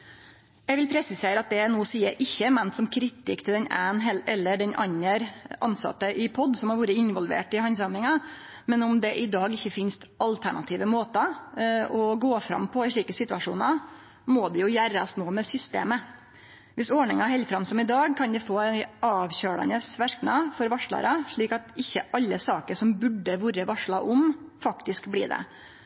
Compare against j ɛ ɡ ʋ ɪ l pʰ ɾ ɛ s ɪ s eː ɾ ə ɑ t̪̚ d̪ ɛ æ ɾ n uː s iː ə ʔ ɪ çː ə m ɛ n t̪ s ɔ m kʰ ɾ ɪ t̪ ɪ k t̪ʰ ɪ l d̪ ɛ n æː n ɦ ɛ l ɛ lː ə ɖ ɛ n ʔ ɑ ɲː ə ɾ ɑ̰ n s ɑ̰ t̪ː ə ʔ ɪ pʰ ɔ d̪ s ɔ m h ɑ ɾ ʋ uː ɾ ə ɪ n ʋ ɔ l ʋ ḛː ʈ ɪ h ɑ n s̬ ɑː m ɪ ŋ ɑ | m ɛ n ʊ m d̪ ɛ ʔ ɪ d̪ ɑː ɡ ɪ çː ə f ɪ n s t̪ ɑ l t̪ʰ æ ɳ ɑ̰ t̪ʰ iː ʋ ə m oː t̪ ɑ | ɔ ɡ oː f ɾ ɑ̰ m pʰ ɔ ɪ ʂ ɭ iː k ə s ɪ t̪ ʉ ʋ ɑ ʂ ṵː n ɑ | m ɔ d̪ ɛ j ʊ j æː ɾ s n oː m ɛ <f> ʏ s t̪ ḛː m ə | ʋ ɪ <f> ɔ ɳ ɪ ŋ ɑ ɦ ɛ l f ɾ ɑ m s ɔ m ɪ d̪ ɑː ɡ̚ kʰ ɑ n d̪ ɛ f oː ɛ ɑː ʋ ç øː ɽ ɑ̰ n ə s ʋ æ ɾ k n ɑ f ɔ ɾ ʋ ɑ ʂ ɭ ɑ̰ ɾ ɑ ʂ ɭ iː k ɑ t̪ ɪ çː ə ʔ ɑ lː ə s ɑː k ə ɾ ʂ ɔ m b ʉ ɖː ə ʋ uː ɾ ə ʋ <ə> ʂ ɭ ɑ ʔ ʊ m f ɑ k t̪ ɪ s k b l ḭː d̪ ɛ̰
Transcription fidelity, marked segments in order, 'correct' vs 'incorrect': incorrect: s, incorrect: s, incorrect: ɑ

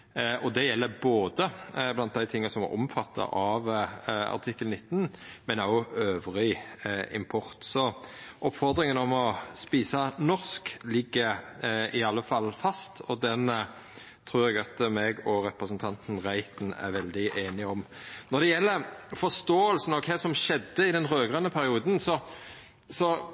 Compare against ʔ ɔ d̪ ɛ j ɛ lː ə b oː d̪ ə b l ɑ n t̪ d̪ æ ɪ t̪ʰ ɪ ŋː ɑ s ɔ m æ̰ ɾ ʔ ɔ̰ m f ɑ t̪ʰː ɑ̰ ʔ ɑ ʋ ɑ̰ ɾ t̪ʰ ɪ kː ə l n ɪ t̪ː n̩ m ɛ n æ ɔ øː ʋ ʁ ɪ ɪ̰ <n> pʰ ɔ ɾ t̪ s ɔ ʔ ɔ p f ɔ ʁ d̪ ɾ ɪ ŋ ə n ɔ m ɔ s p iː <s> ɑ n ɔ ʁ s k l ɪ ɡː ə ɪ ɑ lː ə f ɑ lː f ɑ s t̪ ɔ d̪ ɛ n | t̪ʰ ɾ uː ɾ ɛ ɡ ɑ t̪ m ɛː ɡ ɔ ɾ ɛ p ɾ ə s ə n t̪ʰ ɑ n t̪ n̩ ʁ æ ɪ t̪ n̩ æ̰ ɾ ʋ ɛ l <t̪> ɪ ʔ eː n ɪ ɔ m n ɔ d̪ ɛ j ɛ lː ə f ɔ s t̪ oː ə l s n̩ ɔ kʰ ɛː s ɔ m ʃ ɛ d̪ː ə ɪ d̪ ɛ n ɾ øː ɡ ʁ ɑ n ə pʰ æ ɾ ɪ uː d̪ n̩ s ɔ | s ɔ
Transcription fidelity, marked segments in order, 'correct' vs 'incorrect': incorrect: m, correct, incorrect: d̪

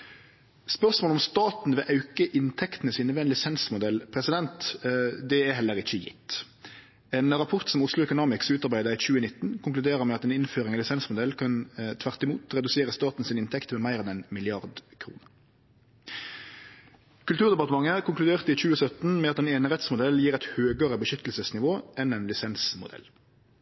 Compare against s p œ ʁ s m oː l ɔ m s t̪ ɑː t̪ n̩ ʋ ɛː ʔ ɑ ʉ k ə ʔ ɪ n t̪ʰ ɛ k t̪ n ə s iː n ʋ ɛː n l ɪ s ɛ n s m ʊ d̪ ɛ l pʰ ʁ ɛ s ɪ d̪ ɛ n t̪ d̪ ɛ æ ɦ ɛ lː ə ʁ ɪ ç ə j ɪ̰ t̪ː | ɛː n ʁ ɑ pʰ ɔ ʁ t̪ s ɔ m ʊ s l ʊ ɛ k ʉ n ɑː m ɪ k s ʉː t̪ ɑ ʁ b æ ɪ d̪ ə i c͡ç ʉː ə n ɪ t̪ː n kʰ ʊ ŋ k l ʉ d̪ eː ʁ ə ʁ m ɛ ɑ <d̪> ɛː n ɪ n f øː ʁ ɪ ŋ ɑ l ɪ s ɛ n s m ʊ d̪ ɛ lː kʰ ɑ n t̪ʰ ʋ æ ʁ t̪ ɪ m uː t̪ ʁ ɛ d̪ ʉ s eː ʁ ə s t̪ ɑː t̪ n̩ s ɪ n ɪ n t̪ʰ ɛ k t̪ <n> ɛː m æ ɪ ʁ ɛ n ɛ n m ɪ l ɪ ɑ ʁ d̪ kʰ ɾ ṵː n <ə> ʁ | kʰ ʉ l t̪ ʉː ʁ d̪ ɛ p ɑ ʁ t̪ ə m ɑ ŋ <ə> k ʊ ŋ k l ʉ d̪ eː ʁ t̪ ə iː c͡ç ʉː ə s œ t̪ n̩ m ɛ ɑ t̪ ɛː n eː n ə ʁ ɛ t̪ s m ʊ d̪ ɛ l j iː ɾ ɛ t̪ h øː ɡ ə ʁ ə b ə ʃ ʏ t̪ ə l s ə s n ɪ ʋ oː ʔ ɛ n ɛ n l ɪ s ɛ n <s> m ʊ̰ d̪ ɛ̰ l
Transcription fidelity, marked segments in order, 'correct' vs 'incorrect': incorrect: t̪, incorrect: m, correct, correct, correct

